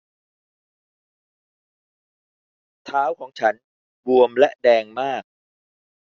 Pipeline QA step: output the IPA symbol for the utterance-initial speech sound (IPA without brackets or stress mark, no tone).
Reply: t̪ʰ